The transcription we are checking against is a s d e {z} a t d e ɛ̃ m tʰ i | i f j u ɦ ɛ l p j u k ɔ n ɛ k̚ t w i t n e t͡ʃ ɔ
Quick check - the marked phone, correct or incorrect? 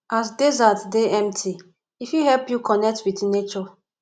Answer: correct